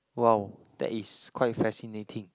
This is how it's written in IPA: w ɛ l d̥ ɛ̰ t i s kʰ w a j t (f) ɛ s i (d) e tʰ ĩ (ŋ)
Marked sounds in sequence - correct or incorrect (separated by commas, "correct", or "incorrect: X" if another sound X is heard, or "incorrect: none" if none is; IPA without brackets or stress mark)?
correct, incorrect: n, correct